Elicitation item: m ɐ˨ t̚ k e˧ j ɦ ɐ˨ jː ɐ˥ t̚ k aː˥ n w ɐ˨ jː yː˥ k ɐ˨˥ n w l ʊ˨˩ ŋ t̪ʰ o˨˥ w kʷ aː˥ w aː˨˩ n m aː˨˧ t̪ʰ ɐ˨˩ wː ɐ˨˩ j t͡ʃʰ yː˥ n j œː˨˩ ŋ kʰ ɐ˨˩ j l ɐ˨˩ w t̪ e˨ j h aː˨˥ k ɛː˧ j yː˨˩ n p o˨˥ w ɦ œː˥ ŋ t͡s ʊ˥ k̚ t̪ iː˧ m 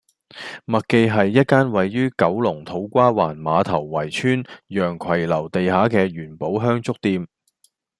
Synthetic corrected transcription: m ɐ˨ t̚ k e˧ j ɦ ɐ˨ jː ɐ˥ t̚ k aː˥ n w ɐ˨ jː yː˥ k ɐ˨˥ w l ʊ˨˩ ŋ t̪ʰ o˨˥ w kʷ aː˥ w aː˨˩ n m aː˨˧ t̪ʰ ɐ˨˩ wː ɐ˨˩ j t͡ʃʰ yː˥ n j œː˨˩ ŋ kʰ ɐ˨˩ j l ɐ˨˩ w t̪ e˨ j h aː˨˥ k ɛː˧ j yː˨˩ n p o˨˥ w ɦ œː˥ ŋ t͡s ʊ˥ k̚ t̪ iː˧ m